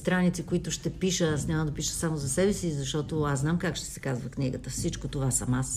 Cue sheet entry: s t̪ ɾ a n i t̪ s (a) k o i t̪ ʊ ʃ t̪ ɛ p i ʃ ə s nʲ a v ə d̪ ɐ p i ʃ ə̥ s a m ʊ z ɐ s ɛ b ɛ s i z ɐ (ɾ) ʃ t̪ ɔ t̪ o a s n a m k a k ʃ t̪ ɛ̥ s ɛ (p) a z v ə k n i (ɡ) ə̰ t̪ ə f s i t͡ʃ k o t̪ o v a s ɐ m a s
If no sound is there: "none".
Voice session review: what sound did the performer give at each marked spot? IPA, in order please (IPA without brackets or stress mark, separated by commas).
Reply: i, none, k, ɡ